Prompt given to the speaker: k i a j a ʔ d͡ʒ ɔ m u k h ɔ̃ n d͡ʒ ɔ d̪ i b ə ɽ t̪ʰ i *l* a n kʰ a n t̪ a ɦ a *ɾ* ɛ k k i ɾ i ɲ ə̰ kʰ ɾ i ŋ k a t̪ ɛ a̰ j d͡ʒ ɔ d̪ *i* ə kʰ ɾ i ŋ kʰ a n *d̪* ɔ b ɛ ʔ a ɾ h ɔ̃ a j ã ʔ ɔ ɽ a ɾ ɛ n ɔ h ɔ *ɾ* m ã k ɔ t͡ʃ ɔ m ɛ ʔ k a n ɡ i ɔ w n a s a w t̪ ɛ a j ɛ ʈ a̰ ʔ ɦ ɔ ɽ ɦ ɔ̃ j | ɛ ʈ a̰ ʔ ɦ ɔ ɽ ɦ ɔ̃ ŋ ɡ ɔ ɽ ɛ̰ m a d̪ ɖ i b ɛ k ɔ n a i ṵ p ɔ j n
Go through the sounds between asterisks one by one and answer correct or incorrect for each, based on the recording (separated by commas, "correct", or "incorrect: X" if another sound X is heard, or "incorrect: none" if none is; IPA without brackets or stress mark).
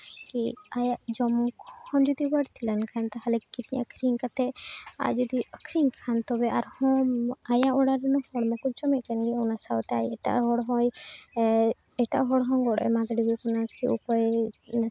correct, incorrect: l, correct, incorrect: t̪, incorrect: ɽ